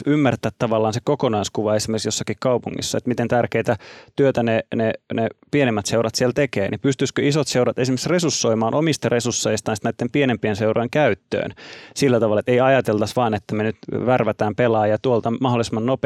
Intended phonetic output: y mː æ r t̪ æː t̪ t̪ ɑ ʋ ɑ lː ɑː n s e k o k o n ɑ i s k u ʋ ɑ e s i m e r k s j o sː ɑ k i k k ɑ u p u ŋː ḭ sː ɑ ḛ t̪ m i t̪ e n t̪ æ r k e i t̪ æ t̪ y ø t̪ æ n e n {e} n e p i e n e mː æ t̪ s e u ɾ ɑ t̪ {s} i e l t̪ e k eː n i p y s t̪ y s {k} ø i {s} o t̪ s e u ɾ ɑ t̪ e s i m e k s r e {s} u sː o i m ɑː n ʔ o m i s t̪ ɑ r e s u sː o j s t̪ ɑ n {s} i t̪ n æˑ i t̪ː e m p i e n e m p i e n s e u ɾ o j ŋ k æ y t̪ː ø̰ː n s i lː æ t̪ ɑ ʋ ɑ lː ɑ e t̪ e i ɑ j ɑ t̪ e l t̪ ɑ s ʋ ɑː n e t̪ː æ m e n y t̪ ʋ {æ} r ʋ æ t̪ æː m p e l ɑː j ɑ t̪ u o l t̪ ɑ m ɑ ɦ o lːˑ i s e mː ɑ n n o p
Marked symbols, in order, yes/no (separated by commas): yes, yes, yes, yes, yes, yes, yes